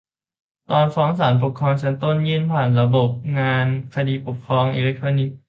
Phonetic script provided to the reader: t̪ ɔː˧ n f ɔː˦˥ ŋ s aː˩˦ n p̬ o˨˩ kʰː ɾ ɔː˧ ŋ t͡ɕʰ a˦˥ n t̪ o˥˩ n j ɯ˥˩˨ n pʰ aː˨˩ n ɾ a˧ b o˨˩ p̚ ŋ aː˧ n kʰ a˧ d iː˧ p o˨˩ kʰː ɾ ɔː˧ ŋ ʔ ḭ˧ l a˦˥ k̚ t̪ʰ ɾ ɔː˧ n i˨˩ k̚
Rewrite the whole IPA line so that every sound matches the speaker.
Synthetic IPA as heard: t̪ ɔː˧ n f ɔː˦˥ ŋ s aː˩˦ n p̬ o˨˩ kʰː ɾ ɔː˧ ŋ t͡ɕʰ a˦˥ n t̪ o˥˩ n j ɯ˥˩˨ n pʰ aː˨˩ n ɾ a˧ b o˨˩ p̚ ŋ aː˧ n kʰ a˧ d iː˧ p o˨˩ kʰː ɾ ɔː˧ ŋ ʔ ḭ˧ l e˦˥ k̚ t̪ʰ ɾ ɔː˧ n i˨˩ k̚